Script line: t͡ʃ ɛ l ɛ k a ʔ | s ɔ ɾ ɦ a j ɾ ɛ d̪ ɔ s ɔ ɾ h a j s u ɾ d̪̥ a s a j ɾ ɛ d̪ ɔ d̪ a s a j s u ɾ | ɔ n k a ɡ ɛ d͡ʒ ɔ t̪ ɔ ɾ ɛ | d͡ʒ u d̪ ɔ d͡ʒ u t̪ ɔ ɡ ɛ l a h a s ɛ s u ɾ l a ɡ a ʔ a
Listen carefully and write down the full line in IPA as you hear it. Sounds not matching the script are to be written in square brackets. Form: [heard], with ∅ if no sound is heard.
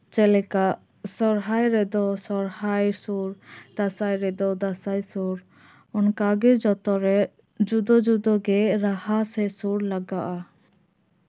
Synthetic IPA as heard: t͡ʃ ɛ l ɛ k a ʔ | s ɔ ɾ ɦ a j ɾ ɛ d̪ ɔ s ɔ ɾ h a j s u ɾ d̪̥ a s a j ɾ ɛ d̪ ɔ d̪ a s a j s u ɾ | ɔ n k a ɡ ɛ d͡ʒ ɔ t̪ ɔ ɾ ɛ | d͡ʒ u d̪ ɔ d͡ʒ u [d̪] ɔ ɡ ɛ [ɾ] a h a s ɛ s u ɾ l a ɡ a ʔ a